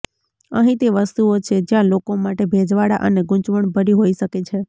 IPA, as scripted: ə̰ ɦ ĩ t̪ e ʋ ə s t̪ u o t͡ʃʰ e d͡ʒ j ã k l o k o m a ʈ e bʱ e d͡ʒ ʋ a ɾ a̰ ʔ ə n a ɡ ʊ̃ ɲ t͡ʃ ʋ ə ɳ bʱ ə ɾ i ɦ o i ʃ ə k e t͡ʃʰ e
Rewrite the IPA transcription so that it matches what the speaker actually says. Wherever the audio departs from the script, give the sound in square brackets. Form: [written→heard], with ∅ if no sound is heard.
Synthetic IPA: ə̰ ɦ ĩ t̪ e ʋ ə s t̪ u o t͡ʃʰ e d͡ʒ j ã [k→∅] l o k o m a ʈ e bʱ e d͡ʒ ʋ a [ɾ→ɽ] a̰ ʔ ə n [a→e] ɡ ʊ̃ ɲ t͡ʃ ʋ ə ɳ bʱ ə ɾ i ɦ o i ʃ ə k e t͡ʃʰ e